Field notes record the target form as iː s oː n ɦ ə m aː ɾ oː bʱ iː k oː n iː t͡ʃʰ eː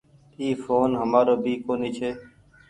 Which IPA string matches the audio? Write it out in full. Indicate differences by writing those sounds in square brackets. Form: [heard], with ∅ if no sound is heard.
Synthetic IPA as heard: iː [f] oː n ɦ ə m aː ɾ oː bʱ iː k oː n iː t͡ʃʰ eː